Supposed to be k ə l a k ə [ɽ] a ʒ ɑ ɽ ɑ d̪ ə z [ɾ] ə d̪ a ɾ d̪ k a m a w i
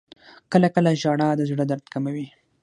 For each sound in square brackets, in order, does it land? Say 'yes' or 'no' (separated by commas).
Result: no, no